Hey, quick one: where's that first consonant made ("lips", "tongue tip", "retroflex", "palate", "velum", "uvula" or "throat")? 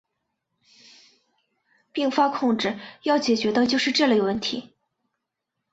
lips